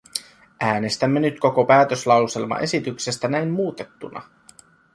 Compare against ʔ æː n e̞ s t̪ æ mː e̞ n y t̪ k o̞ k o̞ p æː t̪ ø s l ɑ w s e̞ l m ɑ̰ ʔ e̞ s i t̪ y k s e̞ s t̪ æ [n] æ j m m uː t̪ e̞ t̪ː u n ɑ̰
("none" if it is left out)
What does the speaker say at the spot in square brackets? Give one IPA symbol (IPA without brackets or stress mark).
n